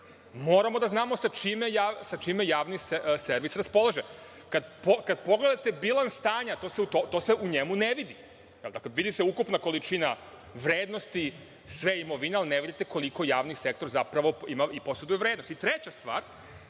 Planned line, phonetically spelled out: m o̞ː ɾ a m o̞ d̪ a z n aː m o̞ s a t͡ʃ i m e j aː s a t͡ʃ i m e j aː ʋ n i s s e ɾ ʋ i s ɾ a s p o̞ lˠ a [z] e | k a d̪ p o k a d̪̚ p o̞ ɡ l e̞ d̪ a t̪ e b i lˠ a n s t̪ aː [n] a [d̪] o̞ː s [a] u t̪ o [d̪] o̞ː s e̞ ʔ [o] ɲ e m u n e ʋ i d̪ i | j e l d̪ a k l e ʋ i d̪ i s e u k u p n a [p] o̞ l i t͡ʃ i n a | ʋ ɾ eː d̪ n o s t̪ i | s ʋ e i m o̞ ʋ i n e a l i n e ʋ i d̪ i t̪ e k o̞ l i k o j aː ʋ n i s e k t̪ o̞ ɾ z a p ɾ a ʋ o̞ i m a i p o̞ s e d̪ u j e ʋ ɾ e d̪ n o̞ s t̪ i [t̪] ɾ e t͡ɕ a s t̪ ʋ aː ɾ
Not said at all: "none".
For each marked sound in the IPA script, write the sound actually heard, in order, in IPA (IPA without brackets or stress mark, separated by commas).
ʒ, ɲ, t̪, e, t̪, u, k, t̪